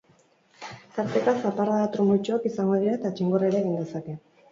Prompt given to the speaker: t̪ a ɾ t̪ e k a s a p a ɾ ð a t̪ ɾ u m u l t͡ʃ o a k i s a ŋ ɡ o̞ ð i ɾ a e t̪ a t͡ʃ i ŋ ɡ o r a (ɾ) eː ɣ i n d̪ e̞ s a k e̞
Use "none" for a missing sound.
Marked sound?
ɾ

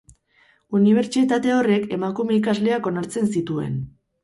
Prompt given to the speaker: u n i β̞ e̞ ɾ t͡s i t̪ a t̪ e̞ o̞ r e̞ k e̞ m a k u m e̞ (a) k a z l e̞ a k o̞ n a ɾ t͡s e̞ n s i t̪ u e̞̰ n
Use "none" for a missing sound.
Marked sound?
i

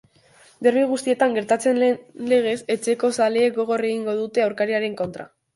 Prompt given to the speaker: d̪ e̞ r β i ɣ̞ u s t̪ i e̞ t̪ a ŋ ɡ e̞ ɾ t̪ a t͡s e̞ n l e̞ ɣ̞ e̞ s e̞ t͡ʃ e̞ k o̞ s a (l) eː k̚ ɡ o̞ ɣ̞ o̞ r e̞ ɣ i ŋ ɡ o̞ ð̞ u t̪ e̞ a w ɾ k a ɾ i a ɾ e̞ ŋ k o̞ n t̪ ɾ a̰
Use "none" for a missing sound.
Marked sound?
l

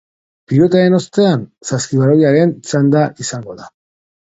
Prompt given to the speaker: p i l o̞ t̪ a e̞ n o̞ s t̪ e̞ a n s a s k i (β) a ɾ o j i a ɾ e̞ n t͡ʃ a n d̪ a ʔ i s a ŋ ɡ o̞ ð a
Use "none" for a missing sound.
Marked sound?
β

